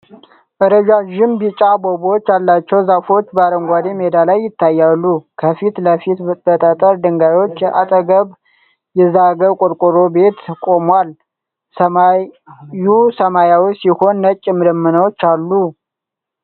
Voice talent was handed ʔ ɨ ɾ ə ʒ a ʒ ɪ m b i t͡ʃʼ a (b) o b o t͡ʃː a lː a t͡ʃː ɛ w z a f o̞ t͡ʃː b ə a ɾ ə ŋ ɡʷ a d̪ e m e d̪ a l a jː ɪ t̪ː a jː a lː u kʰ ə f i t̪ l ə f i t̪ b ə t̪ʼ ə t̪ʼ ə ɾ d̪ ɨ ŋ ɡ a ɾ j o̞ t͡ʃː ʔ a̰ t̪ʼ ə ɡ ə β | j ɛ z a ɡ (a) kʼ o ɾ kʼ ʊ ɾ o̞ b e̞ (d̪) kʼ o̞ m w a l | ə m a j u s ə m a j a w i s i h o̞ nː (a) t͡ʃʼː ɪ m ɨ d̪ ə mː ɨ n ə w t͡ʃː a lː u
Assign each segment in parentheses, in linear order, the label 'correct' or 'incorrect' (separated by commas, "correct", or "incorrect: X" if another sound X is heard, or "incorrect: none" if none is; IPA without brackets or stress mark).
correct, incorrect: ə, incorrect: t̪, incorrect: ə